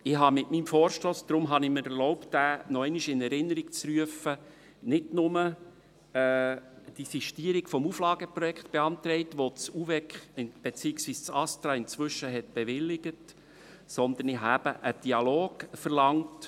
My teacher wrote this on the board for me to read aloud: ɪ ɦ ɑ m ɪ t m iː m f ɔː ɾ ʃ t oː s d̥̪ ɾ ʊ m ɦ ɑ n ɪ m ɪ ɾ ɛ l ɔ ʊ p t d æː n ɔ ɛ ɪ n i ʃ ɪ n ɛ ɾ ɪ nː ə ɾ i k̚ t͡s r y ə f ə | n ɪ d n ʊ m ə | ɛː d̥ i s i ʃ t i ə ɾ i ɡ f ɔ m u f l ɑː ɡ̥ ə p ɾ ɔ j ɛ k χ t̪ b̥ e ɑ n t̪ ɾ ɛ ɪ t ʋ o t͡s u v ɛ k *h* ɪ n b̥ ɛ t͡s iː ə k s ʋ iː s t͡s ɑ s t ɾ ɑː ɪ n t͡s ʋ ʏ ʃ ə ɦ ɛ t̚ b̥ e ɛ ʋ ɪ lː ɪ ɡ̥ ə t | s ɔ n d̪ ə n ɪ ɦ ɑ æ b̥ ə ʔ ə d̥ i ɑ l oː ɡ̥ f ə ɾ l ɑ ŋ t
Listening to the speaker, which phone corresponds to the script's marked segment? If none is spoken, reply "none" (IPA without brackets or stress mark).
χ